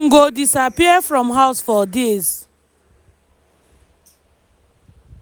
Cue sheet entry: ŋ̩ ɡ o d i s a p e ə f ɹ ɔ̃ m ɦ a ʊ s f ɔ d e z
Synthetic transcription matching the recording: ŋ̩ ɡ o d i s a p i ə f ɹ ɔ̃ m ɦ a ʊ s f ɔ d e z